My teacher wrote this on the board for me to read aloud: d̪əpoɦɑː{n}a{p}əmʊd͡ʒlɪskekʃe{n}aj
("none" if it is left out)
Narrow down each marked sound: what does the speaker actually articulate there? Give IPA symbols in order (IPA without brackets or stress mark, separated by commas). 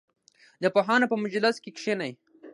n, p, n